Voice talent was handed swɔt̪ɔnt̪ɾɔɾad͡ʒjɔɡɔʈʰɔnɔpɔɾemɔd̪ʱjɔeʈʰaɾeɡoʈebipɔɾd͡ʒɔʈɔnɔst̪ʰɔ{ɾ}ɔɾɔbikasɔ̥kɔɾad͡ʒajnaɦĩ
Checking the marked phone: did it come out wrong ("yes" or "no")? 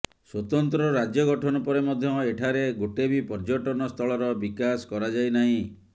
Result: yes